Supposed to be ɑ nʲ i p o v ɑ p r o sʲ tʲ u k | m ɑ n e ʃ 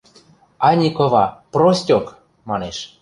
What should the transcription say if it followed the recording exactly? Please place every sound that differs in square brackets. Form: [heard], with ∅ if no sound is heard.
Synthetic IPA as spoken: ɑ nʲ i [k] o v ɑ p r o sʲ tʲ [o] k | m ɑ n e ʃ